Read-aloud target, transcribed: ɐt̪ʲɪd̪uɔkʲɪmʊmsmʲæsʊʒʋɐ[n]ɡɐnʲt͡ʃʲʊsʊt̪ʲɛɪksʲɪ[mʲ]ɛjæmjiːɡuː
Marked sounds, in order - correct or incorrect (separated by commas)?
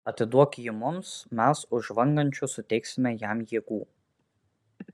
incorrect, correct